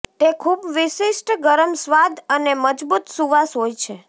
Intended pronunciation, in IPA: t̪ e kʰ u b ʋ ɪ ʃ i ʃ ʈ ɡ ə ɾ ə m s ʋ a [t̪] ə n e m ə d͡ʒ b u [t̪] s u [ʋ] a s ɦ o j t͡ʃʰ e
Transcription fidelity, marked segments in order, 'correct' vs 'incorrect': incorrect, correct, correct

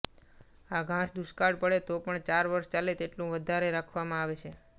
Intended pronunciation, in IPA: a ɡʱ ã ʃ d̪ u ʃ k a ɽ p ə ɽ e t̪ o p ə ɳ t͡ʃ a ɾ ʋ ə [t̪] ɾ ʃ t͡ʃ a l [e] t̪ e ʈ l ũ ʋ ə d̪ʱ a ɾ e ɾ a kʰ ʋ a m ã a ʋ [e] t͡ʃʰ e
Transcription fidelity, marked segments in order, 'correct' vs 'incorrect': incorrect, correct, correct

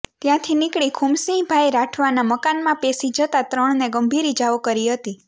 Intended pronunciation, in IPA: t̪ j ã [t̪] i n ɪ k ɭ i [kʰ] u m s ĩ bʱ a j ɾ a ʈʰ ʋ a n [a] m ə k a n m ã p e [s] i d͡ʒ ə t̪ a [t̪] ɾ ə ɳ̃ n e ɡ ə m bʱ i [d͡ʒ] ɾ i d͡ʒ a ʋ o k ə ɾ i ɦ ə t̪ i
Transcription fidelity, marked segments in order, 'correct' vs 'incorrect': incorrect, correct, correct, correct, correct, incorrect

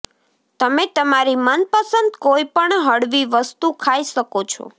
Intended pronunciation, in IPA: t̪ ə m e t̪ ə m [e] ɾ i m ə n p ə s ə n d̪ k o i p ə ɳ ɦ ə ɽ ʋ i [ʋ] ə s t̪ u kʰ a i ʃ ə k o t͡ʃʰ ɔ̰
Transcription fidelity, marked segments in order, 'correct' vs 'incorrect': incorrect, correct

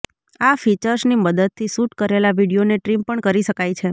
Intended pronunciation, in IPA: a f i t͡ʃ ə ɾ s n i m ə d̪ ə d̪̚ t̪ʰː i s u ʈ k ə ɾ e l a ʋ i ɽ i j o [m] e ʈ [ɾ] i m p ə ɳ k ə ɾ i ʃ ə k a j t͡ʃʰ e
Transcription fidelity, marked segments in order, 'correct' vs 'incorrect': incorrect, correct

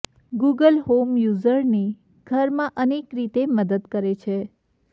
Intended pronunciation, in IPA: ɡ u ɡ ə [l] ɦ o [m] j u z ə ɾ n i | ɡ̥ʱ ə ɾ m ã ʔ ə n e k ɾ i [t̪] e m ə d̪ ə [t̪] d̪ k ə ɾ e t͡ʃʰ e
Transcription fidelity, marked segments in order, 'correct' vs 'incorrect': correct, correct, correct, incorrect

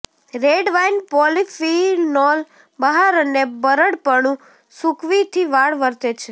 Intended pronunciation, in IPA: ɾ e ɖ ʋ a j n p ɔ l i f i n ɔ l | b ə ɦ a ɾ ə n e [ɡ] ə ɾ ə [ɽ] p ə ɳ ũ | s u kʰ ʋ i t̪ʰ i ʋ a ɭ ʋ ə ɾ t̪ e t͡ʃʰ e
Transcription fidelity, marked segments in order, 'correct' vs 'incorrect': incorrect, correct

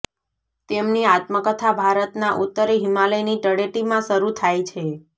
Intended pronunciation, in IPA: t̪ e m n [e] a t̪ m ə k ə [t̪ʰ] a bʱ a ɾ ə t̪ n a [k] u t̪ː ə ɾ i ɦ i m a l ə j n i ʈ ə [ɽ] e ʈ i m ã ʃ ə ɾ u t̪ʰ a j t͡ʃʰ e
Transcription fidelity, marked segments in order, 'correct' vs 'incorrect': incorrect, correct, incorrect, correct

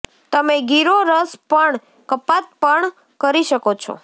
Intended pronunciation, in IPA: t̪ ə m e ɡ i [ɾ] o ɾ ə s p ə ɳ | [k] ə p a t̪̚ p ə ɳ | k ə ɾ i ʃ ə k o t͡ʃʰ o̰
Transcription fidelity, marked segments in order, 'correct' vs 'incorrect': correct, correct

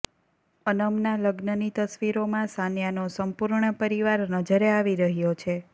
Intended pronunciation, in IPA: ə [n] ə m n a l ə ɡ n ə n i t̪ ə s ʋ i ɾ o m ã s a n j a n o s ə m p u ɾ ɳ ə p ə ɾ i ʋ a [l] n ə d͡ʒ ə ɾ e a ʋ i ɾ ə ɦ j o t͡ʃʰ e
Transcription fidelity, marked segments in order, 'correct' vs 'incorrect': correct, incorrect

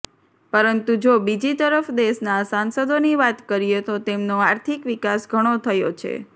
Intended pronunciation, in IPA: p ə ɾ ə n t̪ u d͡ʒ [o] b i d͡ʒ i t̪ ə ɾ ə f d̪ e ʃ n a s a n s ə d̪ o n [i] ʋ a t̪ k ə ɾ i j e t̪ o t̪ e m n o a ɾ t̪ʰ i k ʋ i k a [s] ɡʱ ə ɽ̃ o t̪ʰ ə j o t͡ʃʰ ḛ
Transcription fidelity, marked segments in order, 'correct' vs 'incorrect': correct, correct, correct

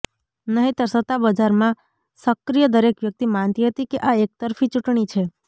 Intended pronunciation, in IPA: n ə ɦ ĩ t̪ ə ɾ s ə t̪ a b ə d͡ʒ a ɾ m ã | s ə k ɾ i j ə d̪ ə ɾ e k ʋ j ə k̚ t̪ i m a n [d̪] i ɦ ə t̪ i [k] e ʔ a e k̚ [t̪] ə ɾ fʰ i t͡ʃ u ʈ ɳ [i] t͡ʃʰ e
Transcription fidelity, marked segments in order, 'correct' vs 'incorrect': incorrect, correct, correct, correct

